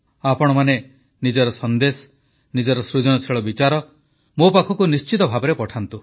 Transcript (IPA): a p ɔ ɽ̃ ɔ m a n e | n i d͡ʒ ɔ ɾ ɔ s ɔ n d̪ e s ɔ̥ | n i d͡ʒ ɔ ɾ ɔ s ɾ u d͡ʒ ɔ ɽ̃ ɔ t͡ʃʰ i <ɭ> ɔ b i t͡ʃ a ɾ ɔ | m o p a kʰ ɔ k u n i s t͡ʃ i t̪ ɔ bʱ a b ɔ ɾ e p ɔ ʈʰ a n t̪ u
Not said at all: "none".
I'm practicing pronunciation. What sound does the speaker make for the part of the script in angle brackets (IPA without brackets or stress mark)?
ɭ